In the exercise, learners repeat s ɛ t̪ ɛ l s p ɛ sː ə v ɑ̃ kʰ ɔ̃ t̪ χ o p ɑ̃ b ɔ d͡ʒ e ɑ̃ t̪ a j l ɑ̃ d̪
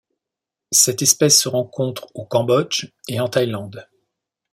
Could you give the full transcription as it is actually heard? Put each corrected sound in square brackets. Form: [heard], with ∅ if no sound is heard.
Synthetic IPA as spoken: s ɛ t̪ ɛ [∅] s p ɛ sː ə [ʁ] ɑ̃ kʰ ɔ̃ t̪ χ o [k] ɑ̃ b ɔ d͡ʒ e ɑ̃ t̪ a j l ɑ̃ d̪